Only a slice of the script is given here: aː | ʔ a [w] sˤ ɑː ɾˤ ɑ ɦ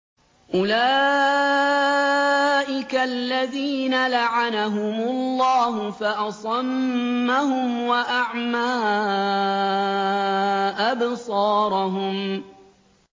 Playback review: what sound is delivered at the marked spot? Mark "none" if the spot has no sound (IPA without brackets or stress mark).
b